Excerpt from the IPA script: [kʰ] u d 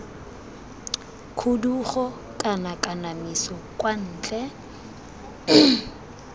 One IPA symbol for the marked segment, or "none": kʰ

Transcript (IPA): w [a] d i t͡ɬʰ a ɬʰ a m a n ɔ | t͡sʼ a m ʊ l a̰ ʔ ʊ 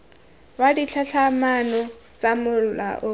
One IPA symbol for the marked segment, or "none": a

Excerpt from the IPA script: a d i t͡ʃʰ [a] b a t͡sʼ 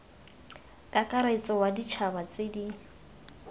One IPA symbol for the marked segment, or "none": a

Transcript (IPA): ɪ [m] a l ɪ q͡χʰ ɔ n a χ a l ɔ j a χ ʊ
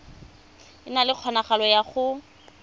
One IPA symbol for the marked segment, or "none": n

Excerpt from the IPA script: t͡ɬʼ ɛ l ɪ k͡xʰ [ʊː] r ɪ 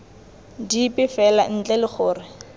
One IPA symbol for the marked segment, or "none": ʊː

